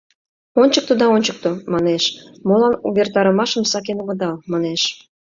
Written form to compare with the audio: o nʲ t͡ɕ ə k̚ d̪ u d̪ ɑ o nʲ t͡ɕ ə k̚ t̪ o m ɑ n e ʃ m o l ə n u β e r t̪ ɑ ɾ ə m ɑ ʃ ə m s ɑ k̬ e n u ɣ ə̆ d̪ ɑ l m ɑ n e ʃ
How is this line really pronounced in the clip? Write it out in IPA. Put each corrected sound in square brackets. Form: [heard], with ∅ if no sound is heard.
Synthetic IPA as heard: o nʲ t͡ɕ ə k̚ [t̪] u d̪ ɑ o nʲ t͡ɕ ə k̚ t̪ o m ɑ n e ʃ m o l [ɑ] n u β e r t̪ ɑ ɾ ə m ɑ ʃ ə m s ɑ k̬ e n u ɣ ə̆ d̪ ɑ l m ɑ n e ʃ